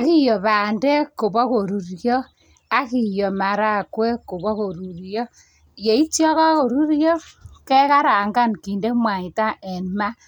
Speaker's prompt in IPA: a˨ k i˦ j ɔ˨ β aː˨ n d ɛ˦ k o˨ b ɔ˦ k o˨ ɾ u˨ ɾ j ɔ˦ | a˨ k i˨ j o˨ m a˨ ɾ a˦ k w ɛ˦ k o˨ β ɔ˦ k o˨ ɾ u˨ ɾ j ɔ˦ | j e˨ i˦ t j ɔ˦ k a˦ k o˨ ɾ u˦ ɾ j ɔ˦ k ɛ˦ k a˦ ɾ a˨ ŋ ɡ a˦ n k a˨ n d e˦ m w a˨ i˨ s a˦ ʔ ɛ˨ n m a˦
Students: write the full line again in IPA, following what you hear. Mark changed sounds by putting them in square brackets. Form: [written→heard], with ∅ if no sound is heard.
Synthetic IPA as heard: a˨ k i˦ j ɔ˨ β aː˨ n d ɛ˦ k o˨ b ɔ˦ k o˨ ɾ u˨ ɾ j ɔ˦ | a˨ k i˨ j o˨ m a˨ ɾ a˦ k w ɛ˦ k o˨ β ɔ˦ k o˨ ɾ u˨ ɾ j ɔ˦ | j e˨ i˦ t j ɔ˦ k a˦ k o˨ ɾ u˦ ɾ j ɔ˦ k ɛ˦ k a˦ ɾ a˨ ŋ ɡ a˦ n k [a˨→i˨] n d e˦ m w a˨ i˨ [s→t] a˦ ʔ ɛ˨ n m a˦

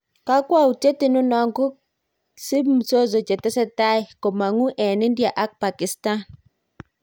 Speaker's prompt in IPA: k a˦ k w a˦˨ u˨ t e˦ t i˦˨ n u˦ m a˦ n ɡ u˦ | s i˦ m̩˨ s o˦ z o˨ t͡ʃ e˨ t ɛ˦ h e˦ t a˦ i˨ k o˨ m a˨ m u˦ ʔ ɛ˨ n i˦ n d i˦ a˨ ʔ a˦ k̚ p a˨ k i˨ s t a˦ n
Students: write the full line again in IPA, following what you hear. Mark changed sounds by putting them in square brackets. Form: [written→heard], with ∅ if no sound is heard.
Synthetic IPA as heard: k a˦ k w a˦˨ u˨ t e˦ t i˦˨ n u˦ [m→n] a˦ [n→ŋ] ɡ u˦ | s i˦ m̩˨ s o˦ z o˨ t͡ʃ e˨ t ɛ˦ [h→s] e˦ t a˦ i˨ k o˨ m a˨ [m→ŋ] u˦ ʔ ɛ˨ n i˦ n d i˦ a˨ ʔ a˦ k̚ p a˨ k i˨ s t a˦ n

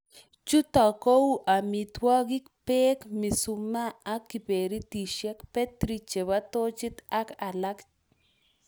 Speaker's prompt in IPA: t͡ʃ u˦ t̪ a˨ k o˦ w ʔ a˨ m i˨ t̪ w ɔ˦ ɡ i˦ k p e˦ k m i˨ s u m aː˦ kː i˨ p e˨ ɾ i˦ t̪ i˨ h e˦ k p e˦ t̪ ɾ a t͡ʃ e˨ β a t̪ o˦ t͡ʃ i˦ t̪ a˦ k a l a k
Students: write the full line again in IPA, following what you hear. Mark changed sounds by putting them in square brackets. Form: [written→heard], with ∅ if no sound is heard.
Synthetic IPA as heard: t͡ʃ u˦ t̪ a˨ k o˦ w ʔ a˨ m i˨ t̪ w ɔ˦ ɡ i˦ k p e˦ k m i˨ s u m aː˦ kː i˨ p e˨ ɾ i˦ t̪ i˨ [h→ʃ] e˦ k p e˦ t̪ ɾ [a→i] t͡ʃ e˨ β a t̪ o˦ t͡ʃ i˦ t̪ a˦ k a l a k

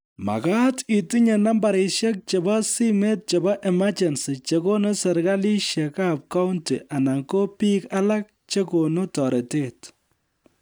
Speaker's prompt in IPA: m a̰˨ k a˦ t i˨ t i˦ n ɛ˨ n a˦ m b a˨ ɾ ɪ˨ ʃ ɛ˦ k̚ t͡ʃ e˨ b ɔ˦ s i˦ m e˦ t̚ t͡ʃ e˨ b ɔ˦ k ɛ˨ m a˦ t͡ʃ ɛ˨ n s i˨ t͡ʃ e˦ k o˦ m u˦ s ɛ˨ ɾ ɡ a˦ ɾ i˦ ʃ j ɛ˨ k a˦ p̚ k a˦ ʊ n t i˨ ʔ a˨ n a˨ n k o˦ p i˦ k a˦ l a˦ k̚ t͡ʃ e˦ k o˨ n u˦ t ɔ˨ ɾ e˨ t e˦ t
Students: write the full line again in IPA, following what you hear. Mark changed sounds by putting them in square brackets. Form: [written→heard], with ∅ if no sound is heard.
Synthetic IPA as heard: m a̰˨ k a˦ t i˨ t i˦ [n→ɲ] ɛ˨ n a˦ m b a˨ ɾ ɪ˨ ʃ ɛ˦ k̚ t͡ʃ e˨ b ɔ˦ s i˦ m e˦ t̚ t͡ʃ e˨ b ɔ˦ [k→ʔ] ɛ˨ m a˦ t͡ʃ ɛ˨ n s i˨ t͡ʃ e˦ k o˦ [m→n] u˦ s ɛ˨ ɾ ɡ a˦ [ɾ→l] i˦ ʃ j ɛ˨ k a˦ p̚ k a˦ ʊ n t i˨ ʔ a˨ n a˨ [n→ŋ] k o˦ p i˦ k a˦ l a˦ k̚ t͡ʃ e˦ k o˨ n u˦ t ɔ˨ ɾ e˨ t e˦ t

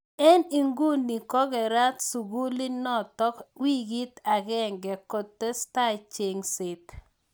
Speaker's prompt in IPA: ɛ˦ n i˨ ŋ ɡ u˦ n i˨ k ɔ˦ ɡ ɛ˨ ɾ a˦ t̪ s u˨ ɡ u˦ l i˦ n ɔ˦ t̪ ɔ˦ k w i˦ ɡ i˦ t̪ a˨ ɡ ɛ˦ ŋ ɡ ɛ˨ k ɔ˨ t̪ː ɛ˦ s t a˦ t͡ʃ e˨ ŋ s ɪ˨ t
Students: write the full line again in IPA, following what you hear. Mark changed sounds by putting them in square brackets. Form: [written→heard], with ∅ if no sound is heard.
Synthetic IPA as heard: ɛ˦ n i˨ ŋ ɡ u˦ n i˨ k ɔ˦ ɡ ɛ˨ ɾ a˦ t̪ s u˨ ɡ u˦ l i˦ n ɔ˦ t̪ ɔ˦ k w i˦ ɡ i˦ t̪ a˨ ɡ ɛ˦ ŋ ɡ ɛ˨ k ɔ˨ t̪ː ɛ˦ s t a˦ t͡ʃ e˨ ŋ s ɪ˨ t

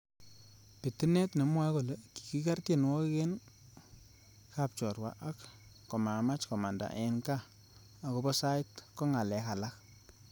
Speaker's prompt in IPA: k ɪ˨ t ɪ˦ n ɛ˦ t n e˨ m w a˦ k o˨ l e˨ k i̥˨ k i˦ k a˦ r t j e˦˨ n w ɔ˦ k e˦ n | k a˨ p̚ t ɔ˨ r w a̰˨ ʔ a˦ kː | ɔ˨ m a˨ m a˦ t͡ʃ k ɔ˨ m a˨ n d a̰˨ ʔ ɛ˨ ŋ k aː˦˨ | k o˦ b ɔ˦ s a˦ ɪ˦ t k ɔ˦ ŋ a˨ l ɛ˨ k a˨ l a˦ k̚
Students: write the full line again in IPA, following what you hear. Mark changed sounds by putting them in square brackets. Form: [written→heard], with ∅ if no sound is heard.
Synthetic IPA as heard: [k→p] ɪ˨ t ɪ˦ n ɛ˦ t n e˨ m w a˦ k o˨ l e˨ k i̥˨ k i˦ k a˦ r t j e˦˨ n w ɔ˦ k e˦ n | k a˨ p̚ [t→t͡ʃ] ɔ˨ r w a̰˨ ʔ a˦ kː | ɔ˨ m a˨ m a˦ t͡ʃ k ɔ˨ m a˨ n d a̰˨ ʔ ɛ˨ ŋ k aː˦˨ | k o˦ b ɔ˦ s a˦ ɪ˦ t k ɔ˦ ŋ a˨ l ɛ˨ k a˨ l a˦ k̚

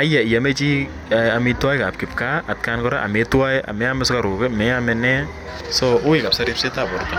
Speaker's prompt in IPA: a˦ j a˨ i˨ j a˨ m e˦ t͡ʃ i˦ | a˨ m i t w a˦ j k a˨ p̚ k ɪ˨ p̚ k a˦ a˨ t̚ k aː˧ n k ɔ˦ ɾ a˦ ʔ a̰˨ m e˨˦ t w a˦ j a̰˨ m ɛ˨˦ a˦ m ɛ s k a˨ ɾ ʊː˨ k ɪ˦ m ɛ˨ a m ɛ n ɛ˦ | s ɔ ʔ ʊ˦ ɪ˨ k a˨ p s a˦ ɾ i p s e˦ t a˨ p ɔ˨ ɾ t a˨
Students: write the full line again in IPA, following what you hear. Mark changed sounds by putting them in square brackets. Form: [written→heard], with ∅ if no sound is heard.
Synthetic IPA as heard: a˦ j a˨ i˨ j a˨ m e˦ t͡ʃ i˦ | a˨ m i t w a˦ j k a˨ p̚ k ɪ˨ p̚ k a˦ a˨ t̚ k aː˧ n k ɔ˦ ɾ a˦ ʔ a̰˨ m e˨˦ t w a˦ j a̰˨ m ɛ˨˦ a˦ m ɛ s k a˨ ɾ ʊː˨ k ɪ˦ m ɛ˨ a m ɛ n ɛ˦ | s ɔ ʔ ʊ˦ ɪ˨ k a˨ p s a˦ ɾ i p s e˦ t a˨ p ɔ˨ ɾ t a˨

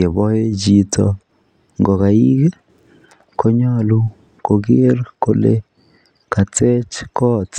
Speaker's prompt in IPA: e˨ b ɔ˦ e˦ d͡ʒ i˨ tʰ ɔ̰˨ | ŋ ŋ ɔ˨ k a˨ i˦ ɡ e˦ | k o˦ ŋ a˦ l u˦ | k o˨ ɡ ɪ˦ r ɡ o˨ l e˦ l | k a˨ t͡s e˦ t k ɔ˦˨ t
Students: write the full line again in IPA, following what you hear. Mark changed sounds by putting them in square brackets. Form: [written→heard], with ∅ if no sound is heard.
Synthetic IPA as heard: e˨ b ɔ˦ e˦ d͡ʒ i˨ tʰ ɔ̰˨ | ŋ [ŋ→ɡ] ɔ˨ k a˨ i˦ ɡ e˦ | k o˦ [ŋ→ɲ] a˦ l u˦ | k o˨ ɡ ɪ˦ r [ɡ→k] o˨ l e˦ [l→∅] | k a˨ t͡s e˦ [t→t͡ʃ] k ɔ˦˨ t

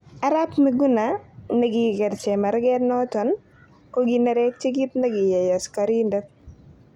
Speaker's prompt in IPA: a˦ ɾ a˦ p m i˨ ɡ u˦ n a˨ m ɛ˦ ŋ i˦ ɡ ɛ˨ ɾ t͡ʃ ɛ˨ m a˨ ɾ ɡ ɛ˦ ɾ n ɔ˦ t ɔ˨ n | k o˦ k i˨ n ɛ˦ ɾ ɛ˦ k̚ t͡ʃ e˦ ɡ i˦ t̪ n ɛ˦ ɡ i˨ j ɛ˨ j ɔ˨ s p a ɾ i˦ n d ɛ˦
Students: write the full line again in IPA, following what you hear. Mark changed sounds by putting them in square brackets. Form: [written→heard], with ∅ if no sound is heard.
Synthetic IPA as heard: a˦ ɾ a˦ p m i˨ ɡ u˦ n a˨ [m→n] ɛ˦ [ŋ→ɡ] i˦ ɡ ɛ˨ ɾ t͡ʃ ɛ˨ m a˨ ɾ ɡ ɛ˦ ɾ n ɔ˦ t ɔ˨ n | k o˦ [k→ɡ] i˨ n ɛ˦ ɾ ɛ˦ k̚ t͡ʃ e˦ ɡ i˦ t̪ n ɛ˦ ɡ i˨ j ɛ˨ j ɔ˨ s [p→k] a ɾ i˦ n d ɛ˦

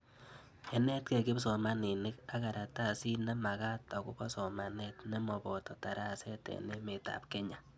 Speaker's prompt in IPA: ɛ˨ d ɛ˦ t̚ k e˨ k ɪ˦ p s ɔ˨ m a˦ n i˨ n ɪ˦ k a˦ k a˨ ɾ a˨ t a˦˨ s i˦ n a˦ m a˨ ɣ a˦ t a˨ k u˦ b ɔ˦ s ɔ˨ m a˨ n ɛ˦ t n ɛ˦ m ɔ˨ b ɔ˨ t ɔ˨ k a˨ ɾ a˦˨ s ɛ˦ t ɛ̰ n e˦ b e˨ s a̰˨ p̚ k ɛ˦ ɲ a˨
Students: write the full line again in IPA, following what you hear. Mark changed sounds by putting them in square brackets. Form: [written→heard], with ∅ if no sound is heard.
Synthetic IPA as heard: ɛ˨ [d→n] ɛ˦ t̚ k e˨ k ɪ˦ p s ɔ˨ m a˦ n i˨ n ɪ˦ k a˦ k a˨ ɾ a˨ t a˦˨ s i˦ n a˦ m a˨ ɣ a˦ t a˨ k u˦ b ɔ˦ s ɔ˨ m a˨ n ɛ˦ t n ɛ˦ m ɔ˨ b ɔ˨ t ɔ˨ [k→t] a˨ ɾ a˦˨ s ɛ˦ t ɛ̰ n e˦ [b→m] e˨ [s→t] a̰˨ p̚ k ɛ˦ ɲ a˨

